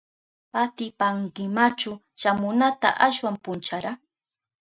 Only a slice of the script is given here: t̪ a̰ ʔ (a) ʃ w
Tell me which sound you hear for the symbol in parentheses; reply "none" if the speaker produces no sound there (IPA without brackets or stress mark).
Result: a